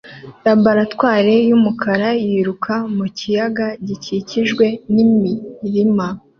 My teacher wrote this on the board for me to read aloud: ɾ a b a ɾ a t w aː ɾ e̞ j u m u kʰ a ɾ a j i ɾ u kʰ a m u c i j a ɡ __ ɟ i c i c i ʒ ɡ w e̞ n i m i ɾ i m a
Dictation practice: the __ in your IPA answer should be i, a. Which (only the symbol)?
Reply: a